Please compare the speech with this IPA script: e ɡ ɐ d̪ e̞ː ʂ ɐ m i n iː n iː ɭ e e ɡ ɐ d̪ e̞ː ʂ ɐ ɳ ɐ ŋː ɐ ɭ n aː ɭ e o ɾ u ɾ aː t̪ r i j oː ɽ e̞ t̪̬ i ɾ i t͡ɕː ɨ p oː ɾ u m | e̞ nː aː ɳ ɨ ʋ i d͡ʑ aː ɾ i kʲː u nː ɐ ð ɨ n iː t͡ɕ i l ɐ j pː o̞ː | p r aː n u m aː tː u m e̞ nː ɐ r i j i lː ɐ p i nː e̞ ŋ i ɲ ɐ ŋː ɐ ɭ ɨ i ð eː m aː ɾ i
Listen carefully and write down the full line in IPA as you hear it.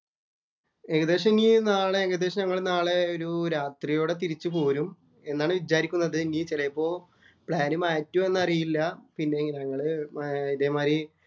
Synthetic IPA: e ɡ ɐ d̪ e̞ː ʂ ɐ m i n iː n aː ɭ e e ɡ ɐ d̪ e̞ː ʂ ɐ ɲ ɐ ŋː ɐ ɭ n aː ɭ e o ɾ u ɾ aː t̪ r i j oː ɽ e̞ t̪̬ i ɾ i t͡ɕː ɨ p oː ɾ u m | e̞ nː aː ɳ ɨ ʋ i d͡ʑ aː ɾ i kʲː u nː ɐ ð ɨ n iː t͡ɕ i l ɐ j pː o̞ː | p ɭ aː n u m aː tː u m e̞ nː ɐ r i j i lː ɐ p i nː e̞ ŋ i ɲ ɐ ŋː ɐ ɭ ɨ i ð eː m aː ɾ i